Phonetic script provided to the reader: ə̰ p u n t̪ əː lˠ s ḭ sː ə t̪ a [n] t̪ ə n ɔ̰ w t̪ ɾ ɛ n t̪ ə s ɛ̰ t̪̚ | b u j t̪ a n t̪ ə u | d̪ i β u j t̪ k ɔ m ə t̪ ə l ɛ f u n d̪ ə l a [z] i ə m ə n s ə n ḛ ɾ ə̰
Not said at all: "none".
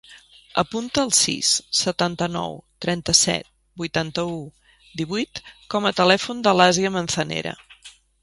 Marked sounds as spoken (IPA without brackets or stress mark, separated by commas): n, z